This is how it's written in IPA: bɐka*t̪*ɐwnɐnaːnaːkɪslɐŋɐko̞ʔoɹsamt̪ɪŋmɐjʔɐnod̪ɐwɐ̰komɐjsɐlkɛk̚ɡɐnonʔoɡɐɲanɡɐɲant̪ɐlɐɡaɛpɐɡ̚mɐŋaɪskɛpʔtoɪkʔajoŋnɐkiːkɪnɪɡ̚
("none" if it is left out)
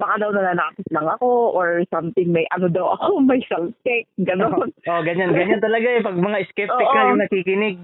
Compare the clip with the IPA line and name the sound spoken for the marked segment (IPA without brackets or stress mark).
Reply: d̪